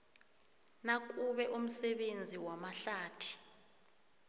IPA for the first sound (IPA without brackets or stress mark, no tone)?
n